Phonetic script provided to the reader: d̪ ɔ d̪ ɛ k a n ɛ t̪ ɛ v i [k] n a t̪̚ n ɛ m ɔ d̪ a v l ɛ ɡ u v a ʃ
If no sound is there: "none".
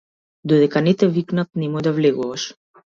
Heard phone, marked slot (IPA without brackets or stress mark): k